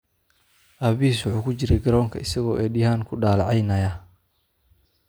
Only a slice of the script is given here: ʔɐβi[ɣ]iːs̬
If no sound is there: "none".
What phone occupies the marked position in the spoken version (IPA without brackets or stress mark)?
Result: none